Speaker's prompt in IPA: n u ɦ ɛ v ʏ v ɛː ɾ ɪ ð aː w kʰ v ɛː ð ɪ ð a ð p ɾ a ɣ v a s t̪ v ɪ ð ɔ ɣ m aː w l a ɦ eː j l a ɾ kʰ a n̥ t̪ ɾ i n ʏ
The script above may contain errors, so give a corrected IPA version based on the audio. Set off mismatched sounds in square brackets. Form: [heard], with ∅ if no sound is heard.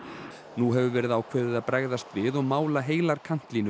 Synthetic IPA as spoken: n u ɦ ɛ v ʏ v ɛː ɾ ɪ ð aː w kʰ v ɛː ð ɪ ð a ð p ɾ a ɣ [ð] a s t̪ v ɪ ð ɔ ɣ m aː w l a ɦ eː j l a ɾ kʰ a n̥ t̪ [l] i n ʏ